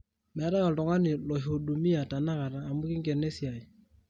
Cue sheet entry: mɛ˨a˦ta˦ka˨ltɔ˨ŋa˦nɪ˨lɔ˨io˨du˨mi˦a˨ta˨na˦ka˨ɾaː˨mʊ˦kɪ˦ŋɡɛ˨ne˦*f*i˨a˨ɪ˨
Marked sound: incorrect: s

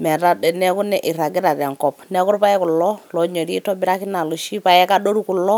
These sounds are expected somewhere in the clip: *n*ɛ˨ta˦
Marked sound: incorrect: m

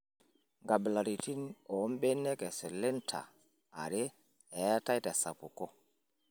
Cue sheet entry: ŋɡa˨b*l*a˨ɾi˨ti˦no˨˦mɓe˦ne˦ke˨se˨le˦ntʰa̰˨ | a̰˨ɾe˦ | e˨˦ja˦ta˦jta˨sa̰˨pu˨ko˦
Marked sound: correct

